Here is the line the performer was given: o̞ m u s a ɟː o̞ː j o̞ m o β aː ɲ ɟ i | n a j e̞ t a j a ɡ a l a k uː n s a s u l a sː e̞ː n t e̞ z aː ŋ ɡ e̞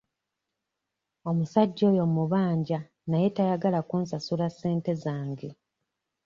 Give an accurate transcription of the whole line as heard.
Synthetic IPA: o̞ m u s a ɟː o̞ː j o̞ m u β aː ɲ ɟ a | n a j e̞ t a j a ɡ a l a k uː n s a s u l a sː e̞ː n t e̞ z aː ŋ ɡ e̞

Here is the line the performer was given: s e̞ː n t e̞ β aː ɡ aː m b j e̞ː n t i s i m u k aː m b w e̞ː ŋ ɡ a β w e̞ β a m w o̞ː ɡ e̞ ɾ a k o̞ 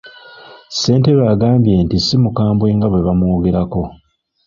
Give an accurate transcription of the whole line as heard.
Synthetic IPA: s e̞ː n t e̞ β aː ɡ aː m b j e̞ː n t i s i m u k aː m b w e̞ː ŋ ɡ a β w e̞ β a m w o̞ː ɡ e̞ ɾ a k o̞

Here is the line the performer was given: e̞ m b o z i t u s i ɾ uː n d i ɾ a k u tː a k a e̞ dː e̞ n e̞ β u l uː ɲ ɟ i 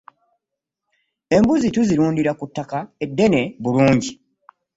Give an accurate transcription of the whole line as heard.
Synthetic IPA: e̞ m b u z i t u z i ɾ uː n d i ɾ a k u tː a k a e̞ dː e̞ n e̞ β u l uː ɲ ɟ i

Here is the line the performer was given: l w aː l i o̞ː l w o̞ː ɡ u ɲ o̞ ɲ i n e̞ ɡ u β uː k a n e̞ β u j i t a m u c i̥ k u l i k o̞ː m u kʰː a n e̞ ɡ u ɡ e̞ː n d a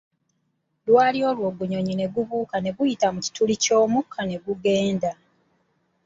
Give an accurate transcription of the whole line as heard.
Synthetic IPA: l w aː l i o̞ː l w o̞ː ɡ u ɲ o̞ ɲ i n e̞ ɡ u β uː k a n e̞ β u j i t a m u c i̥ t u l i c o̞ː m u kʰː a n e̞ ɡ u ɡ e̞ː n d a

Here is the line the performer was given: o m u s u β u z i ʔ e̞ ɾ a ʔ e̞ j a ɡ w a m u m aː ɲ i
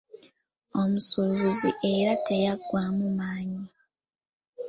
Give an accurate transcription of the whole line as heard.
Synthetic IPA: o m u s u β u z i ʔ e̞ ɾ a t e̞ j a ɡ w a m u m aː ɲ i

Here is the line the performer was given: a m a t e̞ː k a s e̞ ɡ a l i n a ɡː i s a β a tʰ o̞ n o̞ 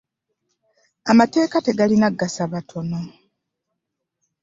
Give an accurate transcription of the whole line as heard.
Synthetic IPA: a m a t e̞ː k a t e̞ ɡ a l i n a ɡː a s a β a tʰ o̞ n o̞

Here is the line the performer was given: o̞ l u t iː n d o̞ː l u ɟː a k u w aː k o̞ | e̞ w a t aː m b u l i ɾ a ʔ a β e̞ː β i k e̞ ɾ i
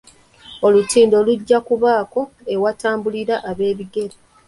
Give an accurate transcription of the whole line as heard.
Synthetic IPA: o̞ l u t iː n d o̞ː l u ɟː a k u β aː k o̞ | e̞ w a t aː m b u l i ɾ a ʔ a β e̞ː β i ɡ e̞ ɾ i

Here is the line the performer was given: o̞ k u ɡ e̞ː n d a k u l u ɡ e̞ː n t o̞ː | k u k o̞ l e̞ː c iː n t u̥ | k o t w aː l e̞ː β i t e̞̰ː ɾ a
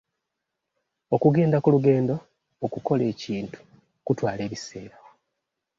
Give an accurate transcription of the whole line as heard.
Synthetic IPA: o̞ k u ɡ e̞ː n d a k u l u ɡ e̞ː n d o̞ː | k u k o̞ l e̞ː c iː n t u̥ | k u t w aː l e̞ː β i s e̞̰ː ɾ a

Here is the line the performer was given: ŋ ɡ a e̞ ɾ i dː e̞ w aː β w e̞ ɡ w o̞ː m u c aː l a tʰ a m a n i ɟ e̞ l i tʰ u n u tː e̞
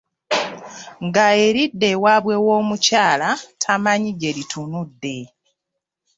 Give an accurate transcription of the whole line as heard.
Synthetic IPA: ŋ ɡ a e̞ ɾ i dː e̞ w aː β w e̞ w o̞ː m u c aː l a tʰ a m a ɲ i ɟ e̞ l i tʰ u n u dː e̞

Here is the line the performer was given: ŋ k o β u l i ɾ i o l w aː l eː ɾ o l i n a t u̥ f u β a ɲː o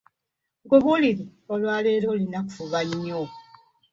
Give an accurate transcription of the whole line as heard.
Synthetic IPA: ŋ ɡ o β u l i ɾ i o l w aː l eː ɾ o l i n a k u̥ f u β a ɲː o

